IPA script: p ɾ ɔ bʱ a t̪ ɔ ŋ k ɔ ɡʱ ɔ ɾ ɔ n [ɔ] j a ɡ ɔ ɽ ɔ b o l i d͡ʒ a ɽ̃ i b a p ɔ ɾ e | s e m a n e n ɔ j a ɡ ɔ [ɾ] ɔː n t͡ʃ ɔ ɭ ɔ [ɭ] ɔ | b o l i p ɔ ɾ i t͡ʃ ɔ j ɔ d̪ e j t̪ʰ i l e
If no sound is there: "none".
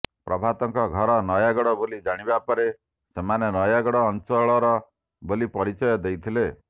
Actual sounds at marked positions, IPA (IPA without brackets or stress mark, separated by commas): ɔ, ɽ, ɾ